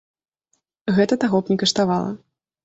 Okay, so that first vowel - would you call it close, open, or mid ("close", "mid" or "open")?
mid